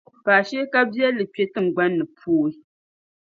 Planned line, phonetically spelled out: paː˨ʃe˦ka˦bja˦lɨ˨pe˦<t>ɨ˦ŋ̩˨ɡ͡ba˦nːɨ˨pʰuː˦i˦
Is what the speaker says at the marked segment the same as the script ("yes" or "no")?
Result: yes